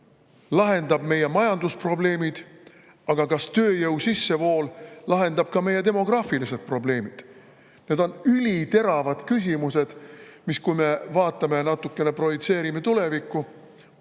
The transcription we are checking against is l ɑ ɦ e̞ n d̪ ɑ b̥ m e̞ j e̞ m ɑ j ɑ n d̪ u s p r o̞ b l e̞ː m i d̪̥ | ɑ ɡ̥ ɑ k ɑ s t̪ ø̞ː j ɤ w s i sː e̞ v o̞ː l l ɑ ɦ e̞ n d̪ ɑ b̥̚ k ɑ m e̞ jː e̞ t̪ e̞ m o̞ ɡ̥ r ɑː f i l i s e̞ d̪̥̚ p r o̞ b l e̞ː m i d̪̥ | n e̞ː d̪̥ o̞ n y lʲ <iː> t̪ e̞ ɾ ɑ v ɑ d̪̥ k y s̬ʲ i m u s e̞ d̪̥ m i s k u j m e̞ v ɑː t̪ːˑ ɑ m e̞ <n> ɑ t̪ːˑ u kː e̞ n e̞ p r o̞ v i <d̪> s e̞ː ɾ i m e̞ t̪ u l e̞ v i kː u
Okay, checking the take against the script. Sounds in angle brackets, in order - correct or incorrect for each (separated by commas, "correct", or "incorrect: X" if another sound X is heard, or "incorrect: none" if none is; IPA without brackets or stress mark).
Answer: incorrect: i, correct, incorrect: t̪